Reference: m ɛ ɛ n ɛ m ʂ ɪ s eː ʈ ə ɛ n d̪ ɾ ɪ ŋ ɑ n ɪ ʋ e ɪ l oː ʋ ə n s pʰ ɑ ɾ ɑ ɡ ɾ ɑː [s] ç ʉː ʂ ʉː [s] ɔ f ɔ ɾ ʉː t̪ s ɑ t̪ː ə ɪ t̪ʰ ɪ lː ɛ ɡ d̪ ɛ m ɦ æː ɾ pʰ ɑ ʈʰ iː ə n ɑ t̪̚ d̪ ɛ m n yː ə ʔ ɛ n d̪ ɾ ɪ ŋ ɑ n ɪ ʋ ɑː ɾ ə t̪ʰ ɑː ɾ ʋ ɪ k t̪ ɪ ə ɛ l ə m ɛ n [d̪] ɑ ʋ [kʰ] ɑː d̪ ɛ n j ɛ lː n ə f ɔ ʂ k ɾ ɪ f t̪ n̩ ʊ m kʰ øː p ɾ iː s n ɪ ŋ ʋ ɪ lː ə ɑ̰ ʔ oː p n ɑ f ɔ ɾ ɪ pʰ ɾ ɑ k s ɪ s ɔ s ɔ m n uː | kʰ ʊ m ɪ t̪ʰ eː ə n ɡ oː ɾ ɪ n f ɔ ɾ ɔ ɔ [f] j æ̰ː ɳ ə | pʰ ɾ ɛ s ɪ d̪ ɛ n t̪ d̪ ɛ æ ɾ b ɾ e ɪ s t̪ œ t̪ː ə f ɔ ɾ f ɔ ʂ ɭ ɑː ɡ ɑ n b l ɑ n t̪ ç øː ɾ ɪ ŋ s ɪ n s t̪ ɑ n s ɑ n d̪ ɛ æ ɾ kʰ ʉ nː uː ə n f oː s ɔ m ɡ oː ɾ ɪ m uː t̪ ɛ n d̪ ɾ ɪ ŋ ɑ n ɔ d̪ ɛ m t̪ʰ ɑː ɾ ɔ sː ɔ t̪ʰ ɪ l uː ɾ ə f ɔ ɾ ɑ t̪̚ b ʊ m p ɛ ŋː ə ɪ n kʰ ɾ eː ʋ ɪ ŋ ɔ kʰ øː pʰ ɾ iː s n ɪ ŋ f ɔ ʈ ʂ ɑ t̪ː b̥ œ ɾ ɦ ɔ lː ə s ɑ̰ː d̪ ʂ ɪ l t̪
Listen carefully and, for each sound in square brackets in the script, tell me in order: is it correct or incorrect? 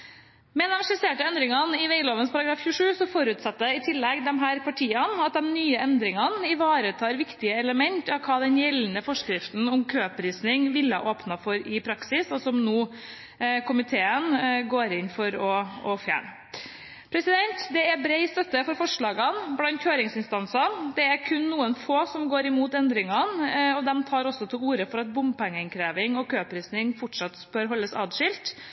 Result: incorrect, correct, incorrect, correct, correct

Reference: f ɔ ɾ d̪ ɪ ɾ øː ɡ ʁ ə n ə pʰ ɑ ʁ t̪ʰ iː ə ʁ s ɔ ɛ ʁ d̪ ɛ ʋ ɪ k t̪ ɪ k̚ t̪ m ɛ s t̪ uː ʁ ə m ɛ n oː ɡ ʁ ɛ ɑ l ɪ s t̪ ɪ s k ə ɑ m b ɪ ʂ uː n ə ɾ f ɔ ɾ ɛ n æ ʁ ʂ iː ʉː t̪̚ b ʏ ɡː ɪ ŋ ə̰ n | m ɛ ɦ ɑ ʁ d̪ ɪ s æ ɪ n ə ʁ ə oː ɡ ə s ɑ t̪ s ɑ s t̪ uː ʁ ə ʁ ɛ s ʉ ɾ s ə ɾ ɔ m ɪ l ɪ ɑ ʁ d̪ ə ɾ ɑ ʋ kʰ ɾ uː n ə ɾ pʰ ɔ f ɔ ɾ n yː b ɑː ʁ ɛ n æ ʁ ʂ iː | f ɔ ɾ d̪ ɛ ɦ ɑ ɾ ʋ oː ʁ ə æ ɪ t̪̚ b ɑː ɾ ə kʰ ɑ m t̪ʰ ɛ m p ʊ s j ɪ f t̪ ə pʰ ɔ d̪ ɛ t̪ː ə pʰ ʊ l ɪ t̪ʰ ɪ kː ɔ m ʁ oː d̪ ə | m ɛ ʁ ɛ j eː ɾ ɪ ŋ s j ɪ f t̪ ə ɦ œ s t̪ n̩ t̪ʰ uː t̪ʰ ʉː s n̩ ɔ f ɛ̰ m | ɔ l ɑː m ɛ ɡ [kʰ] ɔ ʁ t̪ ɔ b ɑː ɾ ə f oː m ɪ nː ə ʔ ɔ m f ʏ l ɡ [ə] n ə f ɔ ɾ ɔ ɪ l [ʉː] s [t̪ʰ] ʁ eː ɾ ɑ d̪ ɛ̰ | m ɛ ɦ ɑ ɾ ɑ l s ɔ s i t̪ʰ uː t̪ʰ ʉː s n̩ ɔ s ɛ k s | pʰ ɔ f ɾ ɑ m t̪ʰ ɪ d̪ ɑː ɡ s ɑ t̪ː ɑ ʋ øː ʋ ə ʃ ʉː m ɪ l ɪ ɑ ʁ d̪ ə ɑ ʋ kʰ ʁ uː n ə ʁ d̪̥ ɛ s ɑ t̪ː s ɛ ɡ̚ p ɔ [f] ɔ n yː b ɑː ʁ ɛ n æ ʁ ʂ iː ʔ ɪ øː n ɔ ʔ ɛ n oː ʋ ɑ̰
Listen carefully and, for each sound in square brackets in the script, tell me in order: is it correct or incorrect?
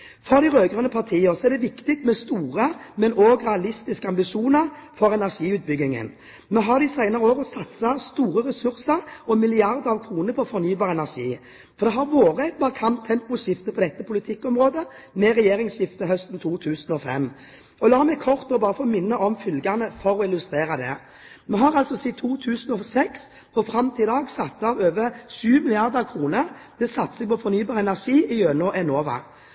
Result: correct, incorrect, incorrect, incorrect, correct

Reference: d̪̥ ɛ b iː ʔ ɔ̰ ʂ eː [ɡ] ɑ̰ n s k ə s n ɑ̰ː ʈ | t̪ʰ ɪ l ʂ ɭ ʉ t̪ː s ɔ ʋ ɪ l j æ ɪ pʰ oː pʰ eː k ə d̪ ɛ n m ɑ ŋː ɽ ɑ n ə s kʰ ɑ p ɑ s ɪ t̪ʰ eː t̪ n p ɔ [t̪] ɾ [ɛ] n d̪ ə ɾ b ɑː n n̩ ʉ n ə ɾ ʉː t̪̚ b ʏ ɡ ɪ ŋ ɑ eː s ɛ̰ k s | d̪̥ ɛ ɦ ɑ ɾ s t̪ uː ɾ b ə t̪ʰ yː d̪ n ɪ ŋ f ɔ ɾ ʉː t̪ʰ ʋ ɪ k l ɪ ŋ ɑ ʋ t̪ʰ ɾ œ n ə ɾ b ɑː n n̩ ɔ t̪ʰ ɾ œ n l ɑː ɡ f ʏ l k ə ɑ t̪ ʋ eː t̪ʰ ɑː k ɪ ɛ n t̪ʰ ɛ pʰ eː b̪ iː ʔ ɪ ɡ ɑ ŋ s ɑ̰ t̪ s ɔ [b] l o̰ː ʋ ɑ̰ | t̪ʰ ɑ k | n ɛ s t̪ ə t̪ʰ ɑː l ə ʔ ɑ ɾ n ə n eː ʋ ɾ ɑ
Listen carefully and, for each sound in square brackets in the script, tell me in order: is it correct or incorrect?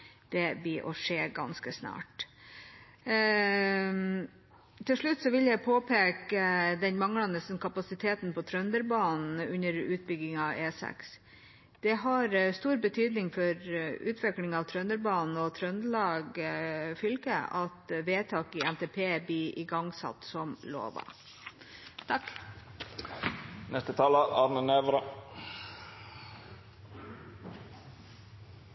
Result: correct, incorrect, incorrect, incorrect

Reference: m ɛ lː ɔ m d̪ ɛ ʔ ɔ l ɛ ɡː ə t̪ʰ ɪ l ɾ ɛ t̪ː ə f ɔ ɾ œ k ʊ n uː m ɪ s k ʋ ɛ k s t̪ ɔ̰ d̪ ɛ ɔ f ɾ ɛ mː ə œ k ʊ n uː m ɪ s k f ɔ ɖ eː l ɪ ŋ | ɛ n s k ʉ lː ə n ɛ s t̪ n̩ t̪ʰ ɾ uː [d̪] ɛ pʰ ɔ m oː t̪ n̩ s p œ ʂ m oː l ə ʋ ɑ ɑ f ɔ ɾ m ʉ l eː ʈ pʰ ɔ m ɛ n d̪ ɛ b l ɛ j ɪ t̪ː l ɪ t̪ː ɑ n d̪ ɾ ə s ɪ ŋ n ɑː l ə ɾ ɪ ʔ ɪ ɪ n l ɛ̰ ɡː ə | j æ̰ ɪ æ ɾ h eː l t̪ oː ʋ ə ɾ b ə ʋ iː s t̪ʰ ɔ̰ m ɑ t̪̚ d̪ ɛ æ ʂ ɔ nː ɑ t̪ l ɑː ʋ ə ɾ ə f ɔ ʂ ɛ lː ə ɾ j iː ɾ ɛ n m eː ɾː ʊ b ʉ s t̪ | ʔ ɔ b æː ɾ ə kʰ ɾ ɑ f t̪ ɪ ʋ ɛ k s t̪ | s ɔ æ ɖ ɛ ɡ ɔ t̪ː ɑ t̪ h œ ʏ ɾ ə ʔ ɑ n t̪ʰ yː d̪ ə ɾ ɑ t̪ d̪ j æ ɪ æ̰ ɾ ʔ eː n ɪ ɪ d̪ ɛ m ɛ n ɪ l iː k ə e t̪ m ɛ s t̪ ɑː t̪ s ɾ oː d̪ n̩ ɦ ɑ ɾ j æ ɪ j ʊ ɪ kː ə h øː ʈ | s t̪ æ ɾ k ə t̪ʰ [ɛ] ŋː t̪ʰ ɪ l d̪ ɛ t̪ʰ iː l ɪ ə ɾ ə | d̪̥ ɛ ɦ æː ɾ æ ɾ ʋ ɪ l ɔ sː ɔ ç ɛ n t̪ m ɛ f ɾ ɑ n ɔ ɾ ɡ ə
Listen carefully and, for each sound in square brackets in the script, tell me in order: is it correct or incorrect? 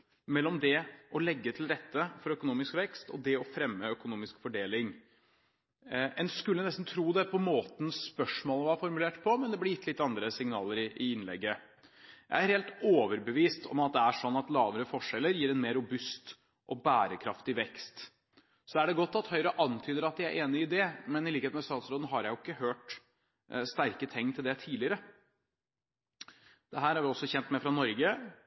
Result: correct, correct

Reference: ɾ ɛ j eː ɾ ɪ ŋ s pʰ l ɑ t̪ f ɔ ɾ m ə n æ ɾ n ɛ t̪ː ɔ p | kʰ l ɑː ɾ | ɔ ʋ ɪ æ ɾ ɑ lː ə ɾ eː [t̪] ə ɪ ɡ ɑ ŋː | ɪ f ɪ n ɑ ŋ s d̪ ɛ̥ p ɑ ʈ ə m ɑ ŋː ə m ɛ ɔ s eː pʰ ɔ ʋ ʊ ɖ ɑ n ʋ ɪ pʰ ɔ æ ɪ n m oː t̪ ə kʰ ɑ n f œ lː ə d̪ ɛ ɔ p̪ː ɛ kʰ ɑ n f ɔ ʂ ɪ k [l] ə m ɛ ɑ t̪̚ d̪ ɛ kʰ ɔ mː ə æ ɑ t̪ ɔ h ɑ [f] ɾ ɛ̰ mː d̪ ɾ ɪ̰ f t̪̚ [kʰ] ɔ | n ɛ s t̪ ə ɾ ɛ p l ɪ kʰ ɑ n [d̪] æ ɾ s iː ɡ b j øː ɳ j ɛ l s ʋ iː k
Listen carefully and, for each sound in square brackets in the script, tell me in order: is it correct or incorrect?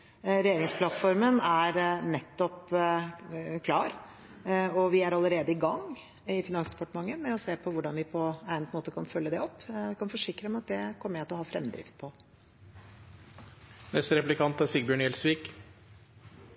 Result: incorrect, incorrect, correct, incorrect, incorrect

